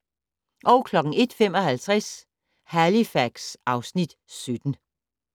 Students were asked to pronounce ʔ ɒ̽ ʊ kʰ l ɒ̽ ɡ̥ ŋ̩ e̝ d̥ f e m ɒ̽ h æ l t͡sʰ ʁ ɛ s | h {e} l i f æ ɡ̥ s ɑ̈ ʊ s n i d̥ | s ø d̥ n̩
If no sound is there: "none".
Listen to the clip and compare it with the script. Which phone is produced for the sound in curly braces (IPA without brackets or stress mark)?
æ